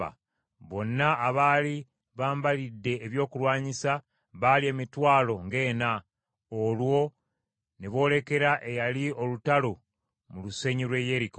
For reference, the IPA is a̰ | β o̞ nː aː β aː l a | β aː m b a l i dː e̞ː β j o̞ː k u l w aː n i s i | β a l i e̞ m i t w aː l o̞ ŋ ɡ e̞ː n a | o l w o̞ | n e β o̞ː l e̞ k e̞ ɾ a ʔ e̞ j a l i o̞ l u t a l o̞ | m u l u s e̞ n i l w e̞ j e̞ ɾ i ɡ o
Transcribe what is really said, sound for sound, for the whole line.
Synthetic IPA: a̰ | β o̞ nː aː β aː l i | β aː m b a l i dː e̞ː β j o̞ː k u l w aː ɲ i s a | β a l i e̞ m i t w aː l o̞ ŋ ɡ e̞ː n a | o l w o̞ | n e β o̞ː l e̞ k e̞ ɾ a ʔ e̞ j a l i o̞ l u t a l o̞ | m u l u s e̞ ɲ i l w e̞ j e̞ ɾ i k o

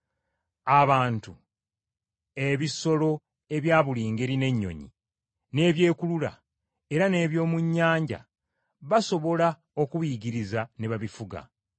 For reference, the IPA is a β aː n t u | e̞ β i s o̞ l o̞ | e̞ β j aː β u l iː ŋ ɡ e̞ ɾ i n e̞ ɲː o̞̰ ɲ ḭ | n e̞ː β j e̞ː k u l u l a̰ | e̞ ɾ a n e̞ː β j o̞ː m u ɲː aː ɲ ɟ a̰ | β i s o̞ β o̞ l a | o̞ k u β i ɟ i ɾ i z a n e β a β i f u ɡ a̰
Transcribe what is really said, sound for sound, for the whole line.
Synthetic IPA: a β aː n t u | e̞ β i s o̞ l o̞ | e̞ β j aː β u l iː ŋ ɡ e̞ ɾ i n e̞ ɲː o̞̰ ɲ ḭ | n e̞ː β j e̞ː k u l u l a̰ | e̞ ɾ a n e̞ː β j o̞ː m u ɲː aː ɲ ɟ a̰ | β a s o̞ β o̞ l a | o̞ k u β i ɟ i ɾ i z a n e β a β i f u ɡ a̰

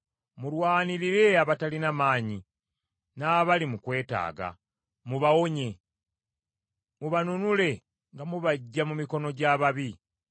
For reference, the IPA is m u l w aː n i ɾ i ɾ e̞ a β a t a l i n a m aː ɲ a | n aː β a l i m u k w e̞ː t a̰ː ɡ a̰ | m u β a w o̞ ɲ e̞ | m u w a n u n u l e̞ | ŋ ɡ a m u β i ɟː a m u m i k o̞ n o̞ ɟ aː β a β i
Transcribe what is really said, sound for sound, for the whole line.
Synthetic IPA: m u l w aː n i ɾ i ɾ e̞ a β a t a l i n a m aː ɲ i | n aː β a l i m u k w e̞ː t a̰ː ɡ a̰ | m u β a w o̞ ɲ e̞ | m u β a n u n u l e̞ | ŋ ɡ a m u β a ɟː a m u m i k o̞ n o̞ ɟ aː β a β i

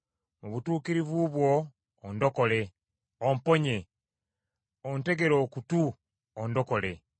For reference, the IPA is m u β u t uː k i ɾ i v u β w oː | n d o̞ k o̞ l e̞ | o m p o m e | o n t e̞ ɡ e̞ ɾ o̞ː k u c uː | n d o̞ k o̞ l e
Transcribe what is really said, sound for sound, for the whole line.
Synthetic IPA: m u β u t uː k i ɾ i v u β w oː | n d o̞ k o̞ l e̞ | o m p o ɲ e | o n t e̞ ɡ e̞ ɾ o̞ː k u t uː | n d o̞ k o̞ l e

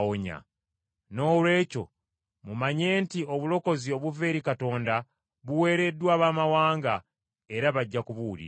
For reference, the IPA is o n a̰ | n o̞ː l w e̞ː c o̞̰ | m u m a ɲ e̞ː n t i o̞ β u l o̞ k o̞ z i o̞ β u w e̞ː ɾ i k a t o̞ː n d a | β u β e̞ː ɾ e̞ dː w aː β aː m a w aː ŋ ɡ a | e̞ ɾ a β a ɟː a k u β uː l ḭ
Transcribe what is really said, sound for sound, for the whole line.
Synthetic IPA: o ɲ a̰ | n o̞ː l w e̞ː c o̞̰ | m u m a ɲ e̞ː n t i o̞ β u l o̞ k o̞ z i o̞ β u v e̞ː ɾ i k a t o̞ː n d a | β u w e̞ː ɾ e̞ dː w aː β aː m a w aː ŋ ɡ a | e̞ ɾ a β a ɟː a k u β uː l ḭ

